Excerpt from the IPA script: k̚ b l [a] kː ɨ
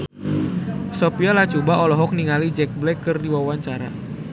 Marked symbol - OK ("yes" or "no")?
no